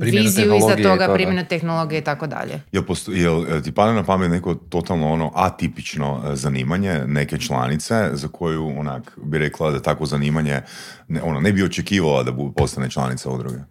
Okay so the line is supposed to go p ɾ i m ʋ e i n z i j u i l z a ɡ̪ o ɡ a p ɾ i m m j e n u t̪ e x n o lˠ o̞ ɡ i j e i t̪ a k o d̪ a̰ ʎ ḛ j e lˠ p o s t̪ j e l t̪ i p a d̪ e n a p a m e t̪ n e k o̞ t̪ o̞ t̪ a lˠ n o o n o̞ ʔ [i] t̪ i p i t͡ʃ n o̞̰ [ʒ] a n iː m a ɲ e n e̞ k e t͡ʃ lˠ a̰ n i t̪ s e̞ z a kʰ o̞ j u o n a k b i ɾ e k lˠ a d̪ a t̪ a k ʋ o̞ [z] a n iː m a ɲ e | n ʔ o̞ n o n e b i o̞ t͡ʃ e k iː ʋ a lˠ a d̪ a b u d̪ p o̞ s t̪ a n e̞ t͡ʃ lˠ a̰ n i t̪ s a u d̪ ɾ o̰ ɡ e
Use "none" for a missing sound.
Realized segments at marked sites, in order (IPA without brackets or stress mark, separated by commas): a, z, z